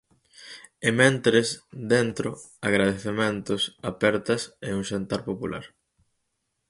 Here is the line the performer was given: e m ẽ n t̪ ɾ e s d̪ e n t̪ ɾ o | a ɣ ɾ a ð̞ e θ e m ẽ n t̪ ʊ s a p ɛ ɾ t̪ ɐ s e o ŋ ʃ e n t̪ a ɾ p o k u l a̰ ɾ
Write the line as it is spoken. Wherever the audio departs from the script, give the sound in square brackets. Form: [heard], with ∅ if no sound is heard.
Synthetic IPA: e m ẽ n t̪ ɾ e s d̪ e n t̪ ɾ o | a ɣ ɾ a ð̞ e θ e m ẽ n t̪ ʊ s a p ɛ ɾ t̪ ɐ s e [u] ŋ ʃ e n t̪ a ɾ p o [p] u l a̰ ɾ